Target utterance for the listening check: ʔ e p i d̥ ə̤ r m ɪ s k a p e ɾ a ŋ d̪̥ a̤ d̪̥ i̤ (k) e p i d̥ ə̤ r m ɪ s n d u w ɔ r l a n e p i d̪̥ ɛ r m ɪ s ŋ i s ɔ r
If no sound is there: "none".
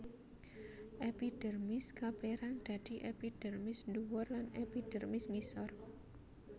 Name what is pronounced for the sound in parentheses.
ʔ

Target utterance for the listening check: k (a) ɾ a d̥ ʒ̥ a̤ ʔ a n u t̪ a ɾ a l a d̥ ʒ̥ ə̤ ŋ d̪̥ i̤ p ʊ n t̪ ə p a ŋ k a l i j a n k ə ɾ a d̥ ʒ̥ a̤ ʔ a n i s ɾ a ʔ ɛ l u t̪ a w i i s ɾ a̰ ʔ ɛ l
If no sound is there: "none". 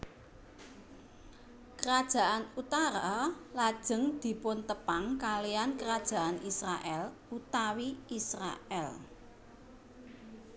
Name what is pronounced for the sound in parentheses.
ə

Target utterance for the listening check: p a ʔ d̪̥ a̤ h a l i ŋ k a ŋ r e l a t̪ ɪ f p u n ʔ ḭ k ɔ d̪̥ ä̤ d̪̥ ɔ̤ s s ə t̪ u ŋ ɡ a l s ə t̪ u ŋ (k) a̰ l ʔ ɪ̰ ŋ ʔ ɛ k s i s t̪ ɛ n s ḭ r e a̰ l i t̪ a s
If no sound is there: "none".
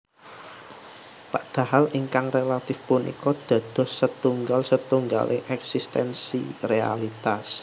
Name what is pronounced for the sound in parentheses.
ɡ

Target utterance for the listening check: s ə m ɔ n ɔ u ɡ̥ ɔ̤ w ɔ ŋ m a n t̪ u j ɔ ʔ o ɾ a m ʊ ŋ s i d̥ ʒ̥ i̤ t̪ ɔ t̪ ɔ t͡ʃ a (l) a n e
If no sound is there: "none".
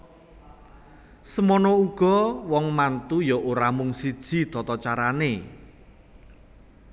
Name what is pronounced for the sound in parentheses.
ɾ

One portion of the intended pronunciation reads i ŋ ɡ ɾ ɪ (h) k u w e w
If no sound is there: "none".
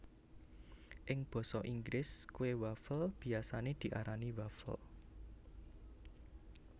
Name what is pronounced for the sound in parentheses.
s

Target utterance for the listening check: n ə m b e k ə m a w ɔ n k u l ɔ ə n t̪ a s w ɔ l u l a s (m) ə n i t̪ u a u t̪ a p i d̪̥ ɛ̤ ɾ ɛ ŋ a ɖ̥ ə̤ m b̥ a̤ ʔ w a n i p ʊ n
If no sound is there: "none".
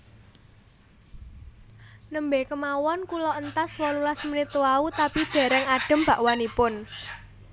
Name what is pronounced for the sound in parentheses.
m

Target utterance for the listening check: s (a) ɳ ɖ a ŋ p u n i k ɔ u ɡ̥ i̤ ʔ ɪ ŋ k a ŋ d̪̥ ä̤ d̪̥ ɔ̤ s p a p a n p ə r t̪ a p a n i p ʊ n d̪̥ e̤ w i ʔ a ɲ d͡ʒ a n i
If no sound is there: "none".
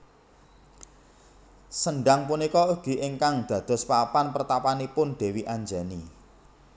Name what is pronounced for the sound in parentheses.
ə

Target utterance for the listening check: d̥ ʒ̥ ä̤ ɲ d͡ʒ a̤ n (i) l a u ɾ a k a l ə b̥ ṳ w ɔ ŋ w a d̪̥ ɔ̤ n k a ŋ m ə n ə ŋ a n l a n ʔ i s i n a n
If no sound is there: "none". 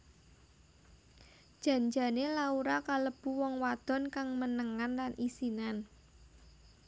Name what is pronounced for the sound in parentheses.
e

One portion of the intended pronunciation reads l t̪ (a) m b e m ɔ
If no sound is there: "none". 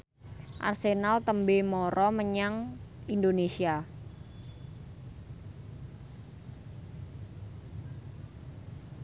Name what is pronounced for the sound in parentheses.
ə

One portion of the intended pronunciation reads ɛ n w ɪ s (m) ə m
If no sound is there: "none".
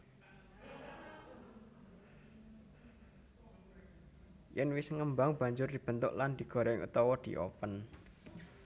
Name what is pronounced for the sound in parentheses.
ŋ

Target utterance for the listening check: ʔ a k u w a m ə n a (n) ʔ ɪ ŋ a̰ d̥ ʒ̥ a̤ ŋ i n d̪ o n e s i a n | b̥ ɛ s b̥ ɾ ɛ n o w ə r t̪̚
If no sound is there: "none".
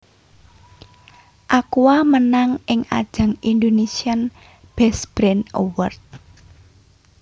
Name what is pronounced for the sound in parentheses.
ŋ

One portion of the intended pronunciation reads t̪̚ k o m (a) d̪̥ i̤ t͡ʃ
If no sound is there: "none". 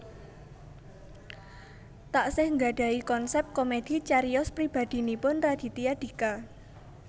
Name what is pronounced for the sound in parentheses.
e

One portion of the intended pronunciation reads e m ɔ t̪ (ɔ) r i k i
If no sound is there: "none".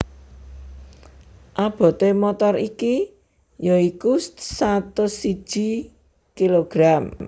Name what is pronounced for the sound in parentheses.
ɔ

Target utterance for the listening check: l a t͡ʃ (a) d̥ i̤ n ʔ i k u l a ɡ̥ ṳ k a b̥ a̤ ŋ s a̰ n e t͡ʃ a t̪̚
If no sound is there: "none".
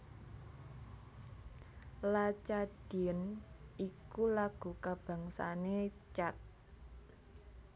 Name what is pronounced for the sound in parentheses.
a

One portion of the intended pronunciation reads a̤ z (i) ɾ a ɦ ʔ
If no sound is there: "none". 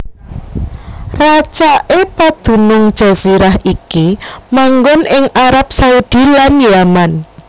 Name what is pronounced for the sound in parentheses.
i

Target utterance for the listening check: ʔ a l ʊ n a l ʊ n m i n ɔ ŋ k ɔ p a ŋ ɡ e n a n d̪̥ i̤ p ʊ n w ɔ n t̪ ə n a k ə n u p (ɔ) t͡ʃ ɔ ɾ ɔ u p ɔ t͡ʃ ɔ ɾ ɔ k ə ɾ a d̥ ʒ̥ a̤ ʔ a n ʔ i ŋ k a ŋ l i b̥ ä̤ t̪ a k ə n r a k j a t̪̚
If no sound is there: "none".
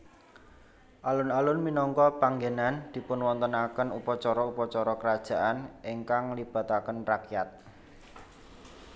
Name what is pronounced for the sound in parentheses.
ɔ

